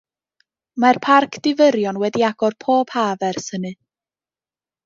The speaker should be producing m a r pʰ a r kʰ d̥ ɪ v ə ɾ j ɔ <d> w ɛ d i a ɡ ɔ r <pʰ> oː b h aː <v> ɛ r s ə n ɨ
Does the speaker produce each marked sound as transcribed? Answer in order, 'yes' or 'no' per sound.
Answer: no, yes, yes

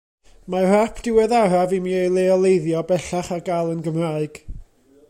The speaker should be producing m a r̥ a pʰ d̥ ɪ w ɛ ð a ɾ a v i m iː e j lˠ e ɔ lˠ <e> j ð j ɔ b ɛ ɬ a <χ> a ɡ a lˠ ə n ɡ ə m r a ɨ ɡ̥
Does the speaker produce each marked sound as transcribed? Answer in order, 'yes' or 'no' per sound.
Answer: yes, yes

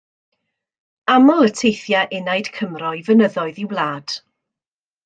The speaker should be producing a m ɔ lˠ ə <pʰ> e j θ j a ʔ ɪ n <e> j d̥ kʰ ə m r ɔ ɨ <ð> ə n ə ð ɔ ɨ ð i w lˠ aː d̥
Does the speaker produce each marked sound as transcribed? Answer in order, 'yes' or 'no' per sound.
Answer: no, no, no

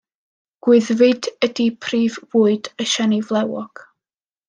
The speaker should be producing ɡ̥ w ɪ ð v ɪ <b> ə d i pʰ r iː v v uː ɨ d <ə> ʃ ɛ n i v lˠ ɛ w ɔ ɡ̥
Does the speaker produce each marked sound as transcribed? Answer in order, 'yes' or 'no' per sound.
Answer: no, yes

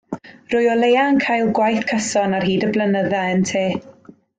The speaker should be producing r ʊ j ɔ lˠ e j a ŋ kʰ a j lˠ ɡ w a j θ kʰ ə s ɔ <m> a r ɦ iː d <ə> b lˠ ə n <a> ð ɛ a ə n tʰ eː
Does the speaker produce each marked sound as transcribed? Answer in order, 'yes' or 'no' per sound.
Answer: no, yes, no

